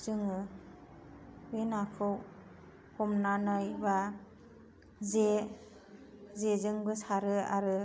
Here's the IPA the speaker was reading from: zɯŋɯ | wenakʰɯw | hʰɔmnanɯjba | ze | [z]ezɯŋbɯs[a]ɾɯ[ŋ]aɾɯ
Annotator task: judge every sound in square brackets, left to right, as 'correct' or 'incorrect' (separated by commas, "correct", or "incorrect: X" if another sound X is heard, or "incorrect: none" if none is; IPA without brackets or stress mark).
correct, correct, incorrect: none